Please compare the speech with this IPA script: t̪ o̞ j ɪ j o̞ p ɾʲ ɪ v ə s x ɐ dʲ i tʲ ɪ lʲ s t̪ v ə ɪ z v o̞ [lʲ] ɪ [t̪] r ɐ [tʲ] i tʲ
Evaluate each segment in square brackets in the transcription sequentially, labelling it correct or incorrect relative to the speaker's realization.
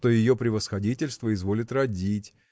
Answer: correct, correct, incorrect: dʲ

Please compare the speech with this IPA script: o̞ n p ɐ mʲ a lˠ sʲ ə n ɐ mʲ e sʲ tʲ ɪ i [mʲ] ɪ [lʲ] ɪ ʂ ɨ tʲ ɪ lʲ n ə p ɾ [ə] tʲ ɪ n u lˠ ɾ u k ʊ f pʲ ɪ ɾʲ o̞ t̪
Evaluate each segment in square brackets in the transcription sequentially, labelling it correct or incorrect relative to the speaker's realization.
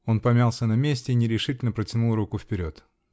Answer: incorrect: nʲ, incorrect: ɾʲ, correct

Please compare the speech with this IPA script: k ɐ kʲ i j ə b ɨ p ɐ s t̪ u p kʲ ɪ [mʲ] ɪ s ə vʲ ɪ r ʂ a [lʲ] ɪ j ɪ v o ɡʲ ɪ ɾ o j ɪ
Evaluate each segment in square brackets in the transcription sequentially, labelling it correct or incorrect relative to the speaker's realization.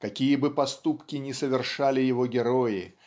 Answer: incorrect: nʲ, correct

